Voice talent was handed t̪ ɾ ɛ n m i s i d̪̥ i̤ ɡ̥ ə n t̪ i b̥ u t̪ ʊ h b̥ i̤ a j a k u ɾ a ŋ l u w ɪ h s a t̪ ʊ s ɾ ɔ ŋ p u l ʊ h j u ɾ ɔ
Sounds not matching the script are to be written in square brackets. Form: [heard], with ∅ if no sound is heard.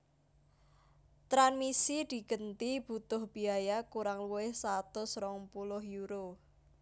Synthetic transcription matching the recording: t̪ ɾ [a] n m i s i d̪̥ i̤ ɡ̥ ə n t̪ i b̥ u t̪ ʊ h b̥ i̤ a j a k u ɾ a ŋ l u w ɪ h s a t̪ ʊ s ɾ ɔ ŋ p u l ʊ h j u ɾ [o]